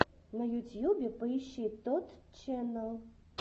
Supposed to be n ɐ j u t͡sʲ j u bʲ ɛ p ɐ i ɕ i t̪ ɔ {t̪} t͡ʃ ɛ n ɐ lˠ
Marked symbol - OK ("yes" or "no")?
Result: yes